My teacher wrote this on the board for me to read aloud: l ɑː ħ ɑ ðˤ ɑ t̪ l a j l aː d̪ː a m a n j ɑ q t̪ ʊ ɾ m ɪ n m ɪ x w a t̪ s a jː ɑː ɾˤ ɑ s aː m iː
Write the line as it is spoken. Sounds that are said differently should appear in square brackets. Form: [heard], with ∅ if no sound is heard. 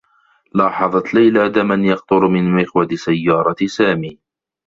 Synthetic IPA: l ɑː ħ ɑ ðˤ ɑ t̪ l a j l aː [d̪] a m a n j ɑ q t̪ ʊ ɾ m ɪ n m ɪ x w a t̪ s a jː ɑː ɾˤ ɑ s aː m iː